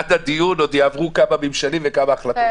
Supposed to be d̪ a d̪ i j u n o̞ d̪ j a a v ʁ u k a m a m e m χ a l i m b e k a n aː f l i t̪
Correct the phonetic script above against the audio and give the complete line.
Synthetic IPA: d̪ a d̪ i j u n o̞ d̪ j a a v ʁ u k a m a m i m ʃ a l i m v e k a m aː χ l a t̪